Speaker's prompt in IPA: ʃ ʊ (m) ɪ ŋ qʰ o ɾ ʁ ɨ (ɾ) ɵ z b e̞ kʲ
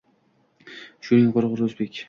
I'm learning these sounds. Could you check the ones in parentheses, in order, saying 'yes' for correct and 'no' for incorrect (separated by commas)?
no, yes